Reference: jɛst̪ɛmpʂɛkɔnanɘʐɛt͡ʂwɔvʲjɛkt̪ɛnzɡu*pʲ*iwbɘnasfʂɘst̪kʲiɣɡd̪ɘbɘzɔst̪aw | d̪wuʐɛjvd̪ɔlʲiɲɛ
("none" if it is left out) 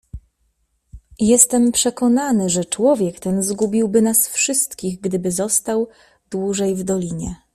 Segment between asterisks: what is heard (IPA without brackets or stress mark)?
bʲ